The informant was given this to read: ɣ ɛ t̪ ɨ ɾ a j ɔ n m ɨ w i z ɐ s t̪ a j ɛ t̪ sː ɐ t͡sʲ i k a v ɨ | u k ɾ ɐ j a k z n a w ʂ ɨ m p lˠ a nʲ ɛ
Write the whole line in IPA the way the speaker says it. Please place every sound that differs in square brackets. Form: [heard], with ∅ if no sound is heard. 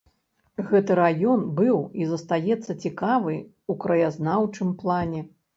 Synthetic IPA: ɣ ɛ t̪ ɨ ɾ a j ɔ n [b] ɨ w i z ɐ s t̪ a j ɛ t̪ sː ɐ t͡sʲ i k a v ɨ | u k ɾ ɐ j a [∅] z n a w [t͡ʂ] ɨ m p lˠ a nʲ ɛ